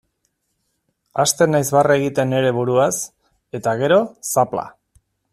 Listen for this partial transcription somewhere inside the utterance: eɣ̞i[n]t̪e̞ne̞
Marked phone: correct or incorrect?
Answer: incorrect: none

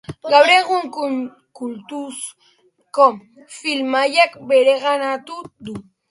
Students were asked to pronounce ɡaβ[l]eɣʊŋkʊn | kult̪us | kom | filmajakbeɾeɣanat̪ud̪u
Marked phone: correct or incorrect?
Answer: incorrect: ɾ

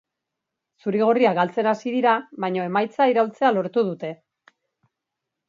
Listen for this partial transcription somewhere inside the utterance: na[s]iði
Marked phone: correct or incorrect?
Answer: correct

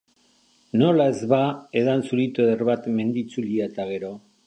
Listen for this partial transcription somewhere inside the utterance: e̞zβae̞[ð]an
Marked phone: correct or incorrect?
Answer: correct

